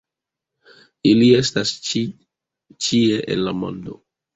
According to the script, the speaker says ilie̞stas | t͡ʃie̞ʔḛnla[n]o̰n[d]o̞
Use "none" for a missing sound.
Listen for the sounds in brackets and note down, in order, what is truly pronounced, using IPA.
m, d

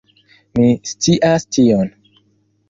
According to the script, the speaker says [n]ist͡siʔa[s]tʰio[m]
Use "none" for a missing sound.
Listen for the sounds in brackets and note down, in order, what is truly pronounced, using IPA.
m, s, n

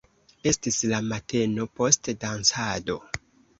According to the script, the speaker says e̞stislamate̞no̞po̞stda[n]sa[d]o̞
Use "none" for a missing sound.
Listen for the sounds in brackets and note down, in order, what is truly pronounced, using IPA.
n, d

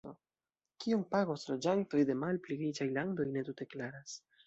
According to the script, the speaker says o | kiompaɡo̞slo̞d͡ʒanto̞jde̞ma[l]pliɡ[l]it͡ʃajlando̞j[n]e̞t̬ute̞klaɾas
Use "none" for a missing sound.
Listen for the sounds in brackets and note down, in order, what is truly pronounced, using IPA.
l, ɾ, n

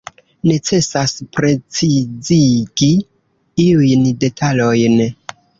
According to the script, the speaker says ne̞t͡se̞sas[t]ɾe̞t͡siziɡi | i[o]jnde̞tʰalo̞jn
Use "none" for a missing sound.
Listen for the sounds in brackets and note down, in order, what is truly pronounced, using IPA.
p, u

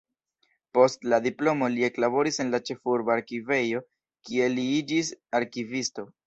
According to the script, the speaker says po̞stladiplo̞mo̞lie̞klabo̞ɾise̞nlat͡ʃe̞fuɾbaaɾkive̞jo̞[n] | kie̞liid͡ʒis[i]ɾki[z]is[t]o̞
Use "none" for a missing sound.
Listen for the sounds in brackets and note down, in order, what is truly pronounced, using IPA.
none, a, v, t

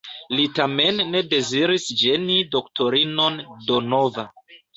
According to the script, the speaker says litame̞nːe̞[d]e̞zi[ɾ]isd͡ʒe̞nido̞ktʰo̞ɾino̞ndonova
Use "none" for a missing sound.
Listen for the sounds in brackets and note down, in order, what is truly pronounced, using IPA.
d, ɾ

